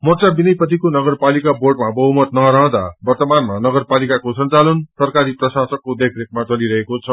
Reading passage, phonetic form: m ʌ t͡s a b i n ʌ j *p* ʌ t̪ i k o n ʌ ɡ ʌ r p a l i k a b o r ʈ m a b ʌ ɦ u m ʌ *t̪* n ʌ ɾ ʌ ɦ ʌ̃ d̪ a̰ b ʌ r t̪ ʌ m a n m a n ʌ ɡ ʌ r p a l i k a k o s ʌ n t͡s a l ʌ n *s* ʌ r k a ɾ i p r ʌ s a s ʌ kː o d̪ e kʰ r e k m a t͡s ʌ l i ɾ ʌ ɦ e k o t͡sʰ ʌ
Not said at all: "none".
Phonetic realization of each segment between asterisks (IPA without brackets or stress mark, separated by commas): p, t̪, s